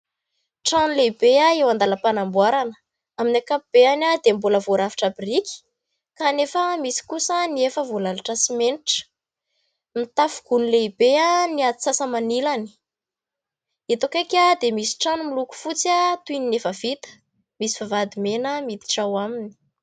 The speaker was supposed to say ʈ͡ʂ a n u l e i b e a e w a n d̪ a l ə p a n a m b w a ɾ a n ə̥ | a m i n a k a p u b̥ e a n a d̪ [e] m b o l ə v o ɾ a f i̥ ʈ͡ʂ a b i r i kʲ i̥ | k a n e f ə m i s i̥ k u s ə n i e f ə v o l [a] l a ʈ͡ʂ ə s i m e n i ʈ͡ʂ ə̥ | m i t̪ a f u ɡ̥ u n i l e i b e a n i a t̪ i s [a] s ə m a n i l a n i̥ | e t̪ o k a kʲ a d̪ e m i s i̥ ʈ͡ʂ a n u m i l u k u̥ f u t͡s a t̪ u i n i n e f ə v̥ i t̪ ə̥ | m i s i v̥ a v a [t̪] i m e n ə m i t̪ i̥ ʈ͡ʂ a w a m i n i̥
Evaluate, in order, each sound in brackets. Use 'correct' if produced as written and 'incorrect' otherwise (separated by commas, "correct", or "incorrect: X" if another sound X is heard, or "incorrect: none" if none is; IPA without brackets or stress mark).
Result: correct, correct, correct, incorrect: d̪